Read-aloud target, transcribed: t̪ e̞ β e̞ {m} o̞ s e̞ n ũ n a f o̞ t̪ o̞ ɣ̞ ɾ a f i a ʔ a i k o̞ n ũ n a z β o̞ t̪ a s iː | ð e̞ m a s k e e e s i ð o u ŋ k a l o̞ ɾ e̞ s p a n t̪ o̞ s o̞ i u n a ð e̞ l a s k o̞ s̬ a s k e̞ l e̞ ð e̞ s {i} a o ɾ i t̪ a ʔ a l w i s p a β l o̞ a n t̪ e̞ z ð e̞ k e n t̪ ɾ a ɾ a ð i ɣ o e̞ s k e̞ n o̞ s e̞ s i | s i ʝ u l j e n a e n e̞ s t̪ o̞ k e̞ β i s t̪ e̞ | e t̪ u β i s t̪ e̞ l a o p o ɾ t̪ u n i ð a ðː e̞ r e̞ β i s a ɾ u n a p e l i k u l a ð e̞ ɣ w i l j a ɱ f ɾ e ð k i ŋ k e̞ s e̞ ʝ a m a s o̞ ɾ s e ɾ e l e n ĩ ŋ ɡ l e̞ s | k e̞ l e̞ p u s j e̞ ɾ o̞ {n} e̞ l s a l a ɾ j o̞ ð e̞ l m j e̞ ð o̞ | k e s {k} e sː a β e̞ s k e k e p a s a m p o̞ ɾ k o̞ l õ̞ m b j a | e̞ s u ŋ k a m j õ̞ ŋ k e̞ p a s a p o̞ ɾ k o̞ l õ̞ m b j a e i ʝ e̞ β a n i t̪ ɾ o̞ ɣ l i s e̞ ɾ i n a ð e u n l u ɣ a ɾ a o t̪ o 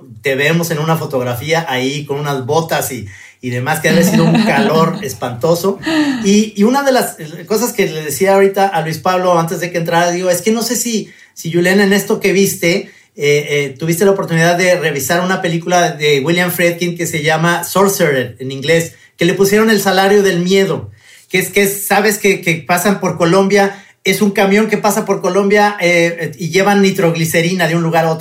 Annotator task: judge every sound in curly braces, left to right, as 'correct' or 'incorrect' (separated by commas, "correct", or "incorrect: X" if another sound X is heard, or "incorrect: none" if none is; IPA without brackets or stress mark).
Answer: correct, correct, correct, correct